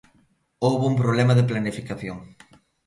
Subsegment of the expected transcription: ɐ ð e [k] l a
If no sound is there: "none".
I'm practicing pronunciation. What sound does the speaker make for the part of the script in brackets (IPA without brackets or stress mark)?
p